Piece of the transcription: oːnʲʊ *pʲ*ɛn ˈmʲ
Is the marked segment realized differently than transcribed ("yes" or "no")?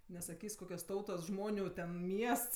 yes